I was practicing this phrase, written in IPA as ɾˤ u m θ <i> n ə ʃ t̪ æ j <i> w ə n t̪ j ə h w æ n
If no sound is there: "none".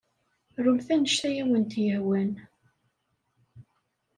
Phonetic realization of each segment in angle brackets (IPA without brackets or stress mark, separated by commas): æ, æ